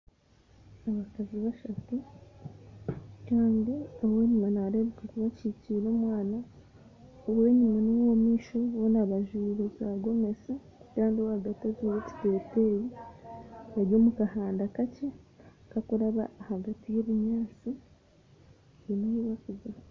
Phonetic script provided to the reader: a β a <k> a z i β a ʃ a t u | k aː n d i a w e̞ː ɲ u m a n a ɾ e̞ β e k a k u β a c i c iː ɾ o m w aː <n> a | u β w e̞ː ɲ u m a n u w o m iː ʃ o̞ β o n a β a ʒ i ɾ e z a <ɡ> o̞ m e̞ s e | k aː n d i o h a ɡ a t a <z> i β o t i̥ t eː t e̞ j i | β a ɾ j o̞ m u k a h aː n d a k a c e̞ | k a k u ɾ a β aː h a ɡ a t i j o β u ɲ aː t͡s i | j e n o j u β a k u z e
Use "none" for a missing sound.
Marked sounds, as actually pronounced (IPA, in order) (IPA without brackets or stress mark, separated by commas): k, n, ɡ, z